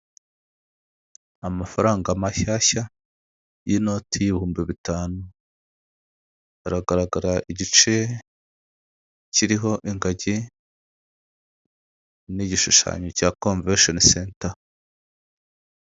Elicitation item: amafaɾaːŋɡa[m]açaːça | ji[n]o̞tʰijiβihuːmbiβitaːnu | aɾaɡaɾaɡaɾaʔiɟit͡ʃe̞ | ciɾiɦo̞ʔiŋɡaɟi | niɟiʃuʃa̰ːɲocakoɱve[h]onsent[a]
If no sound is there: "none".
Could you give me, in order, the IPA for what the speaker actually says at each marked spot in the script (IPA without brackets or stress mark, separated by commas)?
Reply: m, n, ʃ, a